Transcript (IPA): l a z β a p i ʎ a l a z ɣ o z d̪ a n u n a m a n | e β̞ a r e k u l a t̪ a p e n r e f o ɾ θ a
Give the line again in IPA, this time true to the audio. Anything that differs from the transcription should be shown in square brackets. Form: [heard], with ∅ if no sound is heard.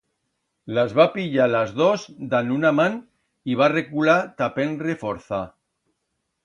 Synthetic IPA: l a z β a p i ʎ a l a z [ð] o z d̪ a n u n a m a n | [i] β̞ a r e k u l a t̪ a p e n r e f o ɾ θ a